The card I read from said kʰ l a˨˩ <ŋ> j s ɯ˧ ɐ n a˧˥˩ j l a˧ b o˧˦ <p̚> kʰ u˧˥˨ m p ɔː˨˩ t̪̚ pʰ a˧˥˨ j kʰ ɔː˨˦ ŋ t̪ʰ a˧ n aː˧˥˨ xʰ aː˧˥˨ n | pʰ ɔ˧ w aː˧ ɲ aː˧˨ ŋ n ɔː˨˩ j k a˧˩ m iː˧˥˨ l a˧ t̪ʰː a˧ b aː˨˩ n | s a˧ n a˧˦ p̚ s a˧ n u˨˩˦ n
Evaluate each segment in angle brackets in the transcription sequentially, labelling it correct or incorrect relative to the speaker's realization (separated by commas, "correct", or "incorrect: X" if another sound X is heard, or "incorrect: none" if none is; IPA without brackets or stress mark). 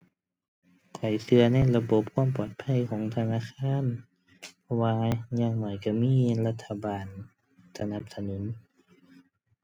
incorrect: none, correct